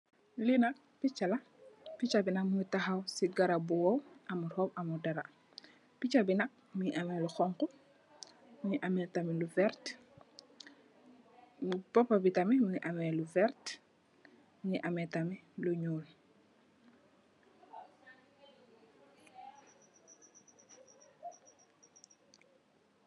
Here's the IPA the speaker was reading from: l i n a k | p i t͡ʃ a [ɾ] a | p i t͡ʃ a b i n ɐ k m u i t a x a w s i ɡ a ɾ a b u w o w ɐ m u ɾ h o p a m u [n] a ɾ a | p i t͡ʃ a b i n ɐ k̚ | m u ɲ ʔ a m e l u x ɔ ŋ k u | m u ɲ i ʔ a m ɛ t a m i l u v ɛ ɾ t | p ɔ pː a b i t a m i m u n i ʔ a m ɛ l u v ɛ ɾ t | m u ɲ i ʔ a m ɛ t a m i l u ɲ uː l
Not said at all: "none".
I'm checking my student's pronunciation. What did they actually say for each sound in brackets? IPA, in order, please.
l, d

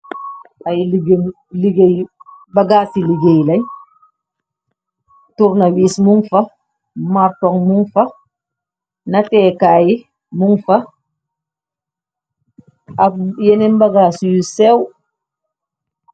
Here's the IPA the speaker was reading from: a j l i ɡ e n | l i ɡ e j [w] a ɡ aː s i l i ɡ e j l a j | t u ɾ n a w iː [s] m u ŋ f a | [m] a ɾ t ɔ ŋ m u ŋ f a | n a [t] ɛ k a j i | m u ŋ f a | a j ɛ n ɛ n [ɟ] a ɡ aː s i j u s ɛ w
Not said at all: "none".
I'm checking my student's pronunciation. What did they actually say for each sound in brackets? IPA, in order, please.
b, s, m, t, b

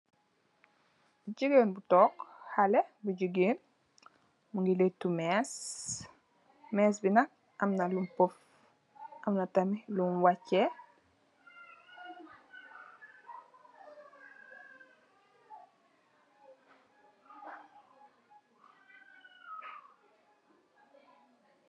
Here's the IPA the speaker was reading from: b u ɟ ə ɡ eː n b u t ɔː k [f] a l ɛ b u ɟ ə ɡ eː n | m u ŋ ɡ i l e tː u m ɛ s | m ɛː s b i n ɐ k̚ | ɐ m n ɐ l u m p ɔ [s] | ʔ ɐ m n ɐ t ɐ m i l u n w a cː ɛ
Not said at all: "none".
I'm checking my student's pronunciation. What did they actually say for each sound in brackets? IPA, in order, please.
h, f

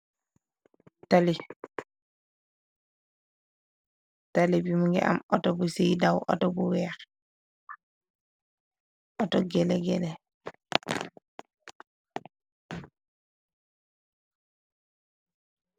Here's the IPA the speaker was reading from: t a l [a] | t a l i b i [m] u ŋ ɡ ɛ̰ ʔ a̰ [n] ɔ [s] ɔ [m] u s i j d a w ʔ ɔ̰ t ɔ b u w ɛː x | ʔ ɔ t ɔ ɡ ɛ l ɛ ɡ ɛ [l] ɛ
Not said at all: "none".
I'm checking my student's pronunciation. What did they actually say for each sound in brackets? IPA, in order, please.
i, m, m, t, b, l

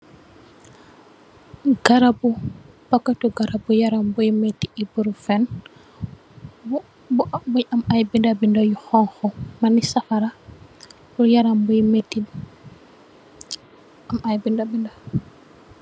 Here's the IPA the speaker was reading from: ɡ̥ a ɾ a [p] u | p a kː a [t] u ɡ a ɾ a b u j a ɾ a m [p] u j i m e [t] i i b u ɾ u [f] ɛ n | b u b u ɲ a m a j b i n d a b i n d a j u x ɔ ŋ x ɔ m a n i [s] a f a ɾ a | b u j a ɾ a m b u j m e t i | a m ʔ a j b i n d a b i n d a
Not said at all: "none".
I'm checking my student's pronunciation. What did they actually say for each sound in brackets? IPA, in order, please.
b, t, b, t, f, s

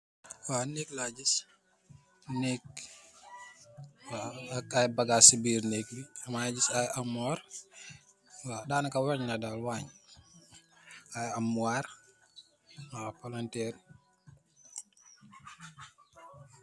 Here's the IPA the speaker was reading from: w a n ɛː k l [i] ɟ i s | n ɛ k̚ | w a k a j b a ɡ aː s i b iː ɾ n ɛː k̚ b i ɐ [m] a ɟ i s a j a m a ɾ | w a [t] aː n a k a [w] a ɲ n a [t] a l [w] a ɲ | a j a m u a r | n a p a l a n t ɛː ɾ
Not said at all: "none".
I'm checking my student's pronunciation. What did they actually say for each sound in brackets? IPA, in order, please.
a, m, d, w, d, w

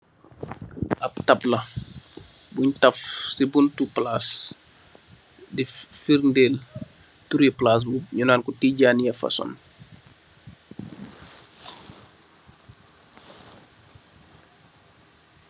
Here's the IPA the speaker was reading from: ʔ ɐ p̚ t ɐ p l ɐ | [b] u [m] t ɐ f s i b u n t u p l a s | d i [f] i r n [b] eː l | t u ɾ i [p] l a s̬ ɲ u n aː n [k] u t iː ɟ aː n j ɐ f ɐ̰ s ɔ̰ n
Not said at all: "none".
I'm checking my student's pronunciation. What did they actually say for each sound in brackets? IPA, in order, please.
b, ɲ, f, d, p, k

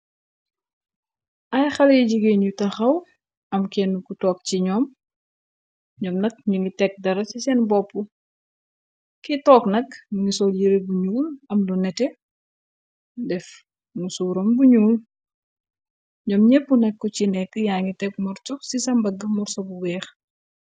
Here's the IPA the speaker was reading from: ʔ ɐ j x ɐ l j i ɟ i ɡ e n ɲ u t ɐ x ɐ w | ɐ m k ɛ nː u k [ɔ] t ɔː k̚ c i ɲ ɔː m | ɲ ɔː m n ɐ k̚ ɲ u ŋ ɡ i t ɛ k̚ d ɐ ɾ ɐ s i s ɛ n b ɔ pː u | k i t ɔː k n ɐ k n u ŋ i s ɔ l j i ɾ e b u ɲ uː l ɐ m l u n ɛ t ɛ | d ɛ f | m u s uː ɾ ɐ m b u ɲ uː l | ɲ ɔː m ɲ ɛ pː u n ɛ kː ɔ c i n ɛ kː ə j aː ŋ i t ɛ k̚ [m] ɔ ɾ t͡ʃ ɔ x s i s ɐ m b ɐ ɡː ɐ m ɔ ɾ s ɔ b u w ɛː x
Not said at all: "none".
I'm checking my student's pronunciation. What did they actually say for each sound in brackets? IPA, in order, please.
u, m

